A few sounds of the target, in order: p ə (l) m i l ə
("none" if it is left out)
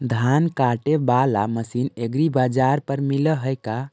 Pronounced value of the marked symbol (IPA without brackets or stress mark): ɾ